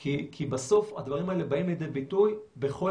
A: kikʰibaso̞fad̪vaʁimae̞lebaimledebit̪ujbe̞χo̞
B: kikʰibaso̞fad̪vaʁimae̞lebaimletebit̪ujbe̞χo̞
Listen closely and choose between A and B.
A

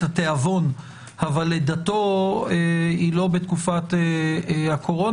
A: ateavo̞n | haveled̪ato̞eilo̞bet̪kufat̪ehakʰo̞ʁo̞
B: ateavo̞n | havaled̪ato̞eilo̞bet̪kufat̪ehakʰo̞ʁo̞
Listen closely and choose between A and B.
B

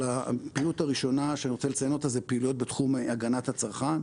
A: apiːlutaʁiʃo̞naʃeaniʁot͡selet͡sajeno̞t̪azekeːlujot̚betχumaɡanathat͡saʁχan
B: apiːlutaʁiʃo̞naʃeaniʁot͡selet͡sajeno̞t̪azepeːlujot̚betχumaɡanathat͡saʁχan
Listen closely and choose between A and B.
B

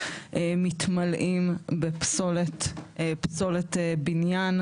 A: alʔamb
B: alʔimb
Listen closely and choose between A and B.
B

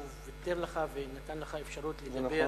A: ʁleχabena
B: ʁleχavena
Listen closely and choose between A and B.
B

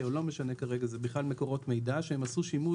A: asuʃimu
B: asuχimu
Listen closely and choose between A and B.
A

